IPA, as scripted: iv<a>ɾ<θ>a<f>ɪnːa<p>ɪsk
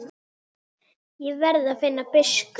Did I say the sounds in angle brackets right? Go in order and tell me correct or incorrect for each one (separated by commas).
incorrect, incorrect, correct, correct